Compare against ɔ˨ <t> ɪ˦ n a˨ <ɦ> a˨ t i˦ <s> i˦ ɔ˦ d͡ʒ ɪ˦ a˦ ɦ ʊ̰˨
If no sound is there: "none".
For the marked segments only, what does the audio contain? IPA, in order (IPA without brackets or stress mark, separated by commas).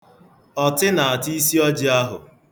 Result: t, none, s